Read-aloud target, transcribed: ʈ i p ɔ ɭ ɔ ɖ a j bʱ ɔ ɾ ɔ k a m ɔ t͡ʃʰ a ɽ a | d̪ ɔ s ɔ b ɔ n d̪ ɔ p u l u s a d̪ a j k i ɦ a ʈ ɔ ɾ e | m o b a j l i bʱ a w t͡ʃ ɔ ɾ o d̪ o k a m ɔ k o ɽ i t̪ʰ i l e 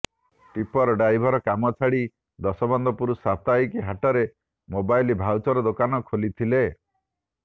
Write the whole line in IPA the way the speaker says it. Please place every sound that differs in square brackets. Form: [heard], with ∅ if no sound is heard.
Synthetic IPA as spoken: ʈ i p ɔ [ɾ] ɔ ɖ a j bʱ ɔ ɾ ɔ k a m ɔ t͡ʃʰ a ɽ [i] | d̪ ɔ s ɔ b ɔ n d̪ ɔ p u [ɾ] u s a [t̪] a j k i ɦ a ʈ ɔ ɾ e | m o b a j l i bʱ a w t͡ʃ ɔ ɾ [ɔ] d̪ o k a [n] ɔ [kʰ] o [l] i t̪ʰ i l e